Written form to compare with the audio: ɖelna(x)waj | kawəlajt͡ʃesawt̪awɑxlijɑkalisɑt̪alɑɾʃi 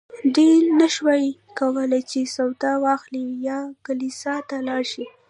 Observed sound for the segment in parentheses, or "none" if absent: ʃ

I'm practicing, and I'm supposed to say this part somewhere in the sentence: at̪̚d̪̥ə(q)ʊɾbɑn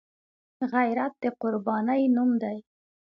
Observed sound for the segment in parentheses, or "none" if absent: q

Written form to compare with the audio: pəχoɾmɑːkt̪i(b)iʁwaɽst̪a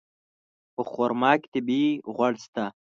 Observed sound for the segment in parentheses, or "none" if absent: b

